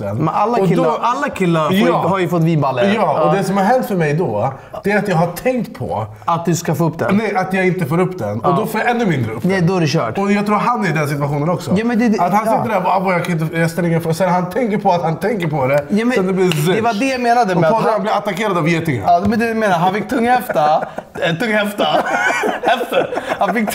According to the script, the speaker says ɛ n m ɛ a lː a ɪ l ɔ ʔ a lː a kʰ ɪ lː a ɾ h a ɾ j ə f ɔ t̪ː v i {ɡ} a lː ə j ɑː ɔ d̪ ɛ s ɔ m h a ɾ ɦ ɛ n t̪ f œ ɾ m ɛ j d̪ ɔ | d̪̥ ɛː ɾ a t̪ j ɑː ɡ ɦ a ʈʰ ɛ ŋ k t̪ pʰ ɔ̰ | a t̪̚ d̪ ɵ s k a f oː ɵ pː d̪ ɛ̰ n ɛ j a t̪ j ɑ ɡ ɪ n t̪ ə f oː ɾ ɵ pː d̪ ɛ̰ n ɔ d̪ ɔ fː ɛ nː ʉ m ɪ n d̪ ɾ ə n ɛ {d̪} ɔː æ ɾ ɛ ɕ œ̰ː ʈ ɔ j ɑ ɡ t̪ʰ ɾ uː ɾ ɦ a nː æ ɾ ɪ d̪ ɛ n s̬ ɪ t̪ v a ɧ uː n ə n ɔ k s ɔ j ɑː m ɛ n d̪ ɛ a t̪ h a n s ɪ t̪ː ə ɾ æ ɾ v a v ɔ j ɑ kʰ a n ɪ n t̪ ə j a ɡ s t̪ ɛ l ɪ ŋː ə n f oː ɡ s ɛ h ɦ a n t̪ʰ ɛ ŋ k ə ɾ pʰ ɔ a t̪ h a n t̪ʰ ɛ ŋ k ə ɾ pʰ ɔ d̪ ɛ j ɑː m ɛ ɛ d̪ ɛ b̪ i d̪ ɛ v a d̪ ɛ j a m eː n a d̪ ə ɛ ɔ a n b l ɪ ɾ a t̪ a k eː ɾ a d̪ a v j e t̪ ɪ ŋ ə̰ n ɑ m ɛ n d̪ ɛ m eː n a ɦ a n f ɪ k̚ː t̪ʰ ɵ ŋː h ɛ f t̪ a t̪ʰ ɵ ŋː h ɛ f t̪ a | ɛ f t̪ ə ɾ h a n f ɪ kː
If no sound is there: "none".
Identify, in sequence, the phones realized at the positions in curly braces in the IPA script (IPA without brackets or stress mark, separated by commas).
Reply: b, d̪